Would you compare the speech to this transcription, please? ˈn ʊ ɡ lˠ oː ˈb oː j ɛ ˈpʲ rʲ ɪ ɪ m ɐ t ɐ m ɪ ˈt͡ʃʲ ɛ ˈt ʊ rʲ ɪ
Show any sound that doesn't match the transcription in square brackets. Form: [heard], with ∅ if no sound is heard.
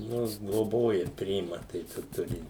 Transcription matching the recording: ˈn ʊ ɡ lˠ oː ˈb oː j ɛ ˈpʲ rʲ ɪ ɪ m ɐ t ɐ [∅] ɪ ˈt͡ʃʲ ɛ ˈt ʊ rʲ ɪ